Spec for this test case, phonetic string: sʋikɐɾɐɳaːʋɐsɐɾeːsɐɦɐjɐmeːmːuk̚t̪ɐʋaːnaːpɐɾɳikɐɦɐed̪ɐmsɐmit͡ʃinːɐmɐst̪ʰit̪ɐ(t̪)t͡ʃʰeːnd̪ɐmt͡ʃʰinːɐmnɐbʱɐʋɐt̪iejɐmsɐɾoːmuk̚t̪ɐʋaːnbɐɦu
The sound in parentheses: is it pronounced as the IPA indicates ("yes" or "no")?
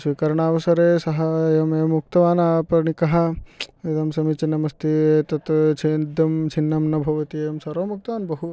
yes